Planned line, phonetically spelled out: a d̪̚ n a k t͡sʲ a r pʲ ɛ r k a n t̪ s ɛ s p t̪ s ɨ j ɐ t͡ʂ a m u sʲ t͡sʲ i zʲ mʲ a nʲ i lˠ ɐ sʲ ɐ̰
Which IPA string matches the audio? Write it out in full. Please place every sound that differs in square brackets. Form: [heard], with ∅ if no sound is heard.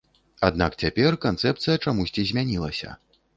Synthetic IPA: a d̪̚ n a k t͡sʲ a [∅] pʲ ɛ r k a n t̪ s ɛ [∅] p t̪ s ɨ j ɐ t͡ʂ a m u sʲ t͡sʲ i zʲ mʲ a nʲ i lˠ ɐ sʲ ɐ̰

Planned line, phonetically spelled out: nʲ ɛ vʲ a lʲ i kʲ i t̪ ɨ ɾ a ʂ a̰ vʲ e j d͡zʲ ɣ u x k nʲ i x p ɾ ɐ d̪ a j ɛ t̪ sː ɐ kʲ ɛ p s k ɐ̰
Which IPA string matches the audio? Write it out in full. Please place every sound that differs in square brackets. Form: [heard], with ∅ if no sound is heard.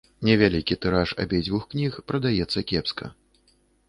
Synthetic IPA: nʲ ɛ vʲ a lʲ i kʲ i t̪ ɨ ɾ a ʂ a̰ [bʲ] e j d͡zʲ [v] u x k nʲ i x p ɾ ɐ d̪ a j ɛ t̪ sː ɐ kʲ ɛ p s k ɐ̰

